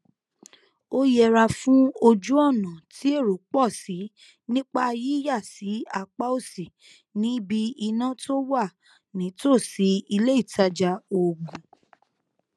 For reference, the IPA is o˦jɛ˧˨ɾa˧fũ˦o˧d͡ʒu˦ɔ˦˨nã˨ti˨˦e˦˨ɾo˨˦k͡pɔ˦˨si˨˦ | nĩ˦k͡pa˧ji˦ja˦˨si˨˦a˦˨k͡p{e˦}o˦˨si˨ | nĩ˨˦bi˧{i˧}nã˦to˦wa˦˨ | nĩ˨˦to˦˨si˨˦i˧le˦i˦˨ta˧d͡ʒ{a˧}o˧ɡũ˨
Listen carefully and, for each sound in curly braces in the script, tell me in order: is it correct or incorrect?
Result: incorrect: a˦, correct, correct

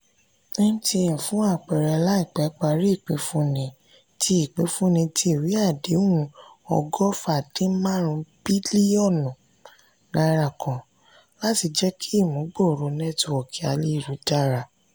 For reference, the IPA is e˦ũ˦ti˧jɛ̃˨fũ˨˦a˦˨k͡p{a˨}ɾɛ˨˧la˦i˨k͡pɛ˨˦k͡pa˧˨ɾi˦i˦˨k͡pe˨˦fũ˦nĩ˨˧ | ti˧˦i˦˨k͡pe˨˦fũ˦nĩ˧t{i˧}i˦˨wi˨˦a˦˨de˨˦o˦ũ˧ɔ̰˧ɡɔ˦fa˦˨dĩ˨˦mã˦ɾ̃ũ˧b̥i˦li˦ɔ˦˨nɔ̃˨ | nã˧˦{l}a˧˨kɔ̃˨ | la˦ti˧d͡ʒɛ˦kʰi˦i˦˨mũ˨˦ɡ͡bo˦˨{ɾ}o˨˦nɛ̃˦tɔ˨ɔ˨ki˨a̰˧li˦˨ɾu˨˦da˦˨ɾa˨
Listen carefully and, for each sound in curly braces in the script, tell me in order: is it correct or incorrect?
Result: incorrect: ɛ˨, correct, incorrect: ɾ, correct

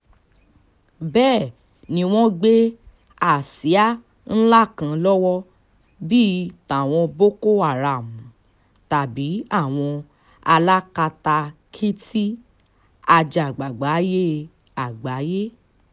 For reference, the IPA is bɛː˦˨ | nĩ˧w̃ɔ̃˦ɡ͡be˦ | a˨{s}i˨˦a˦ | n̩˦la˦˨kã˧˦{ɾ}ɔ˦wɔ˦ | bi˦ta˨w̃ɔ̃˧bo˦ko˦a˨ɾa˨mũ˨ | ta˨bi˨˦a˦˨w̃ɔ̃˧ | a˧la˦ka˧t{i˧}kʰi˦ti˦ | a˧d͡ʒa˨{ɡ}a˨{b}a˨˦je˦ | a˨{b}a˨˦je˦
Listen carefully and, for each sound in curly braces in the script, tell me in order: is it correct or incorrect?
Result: correct, incorrect: l, incorrect: a˧, incorrect: ɡ͡b, incorrect: ɡ͡b, incorrect: ɡ͡b

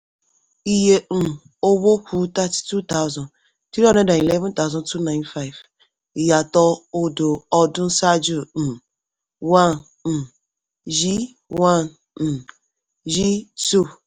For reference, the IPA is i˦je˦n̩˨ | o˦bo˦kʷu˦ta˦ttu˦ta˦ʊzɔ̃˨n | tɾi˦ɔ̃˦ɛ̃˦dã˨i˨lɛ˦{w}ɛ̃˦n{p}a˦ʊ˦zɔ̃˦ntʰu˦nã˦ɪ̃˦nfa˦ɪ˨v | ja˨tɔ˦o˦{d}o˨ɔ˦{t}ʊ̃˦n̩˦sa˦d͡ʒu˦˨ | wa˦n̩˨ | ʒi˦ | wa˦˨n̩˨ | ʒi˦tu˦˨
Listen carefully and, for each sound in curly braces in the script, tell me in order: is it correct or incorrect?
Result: incorrect: v, incorrect: t, correct, incorrect: d

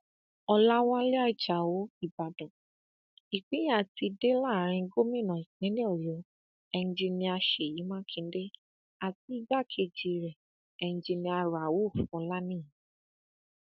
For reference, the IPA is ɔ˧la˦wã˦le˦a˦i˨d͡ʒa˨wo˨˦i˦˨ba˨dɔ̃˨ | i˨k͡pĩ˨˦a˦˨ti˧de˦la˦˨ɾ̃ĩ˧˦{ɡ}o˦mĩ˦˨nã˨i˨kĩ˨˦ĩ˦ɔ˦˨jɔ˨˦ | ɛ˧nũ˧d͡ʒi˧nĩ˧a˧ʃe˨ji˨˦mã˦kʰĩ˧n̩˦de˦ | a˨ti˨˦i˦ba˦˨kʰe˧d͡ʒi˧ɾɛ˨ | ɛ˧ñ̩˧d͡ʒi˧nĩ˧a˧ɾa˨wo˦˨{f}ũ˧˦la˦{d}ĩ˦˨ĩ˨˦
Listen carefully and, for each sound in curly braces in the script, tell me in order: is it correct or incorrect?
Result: correct, correct, incorrect: n

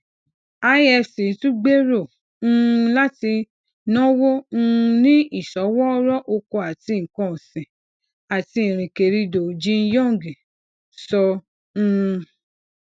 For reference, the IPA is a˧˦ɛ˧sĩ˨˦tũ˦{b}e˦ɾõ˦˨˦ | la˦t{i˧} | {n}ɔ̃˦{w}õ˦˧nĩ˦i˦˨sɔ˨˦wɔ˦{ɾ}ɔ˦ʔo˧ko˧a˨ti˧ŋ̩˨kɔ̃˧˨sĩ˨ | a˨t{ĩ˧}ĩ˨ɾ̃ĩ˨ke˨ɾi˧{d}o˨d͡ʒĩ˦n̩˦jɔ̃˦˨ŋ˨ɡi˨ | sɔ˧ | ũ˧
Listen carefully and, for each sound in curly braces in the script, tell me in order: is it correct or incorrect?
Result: incorrect: ɡ͡b, correct, correct, correct, correct, incorrect: i˧, correct

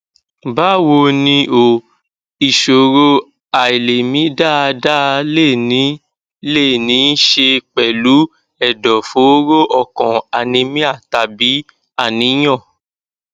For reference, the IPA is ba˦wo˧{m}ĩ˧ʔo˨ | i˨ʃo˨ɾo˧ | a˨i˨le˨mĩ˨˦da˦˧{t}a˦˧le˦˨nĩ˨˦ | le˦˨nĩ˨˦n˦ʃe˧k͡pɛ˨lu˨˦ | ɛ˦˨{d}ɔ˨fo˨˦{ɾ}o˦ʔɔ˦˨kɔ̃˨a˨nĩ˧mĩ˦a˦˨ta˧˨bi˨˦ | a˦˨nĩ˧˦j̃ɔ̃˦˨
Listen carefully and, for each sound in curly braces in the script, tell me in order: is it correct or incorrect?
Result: incorrect: n, incorrect: d, correct, correct

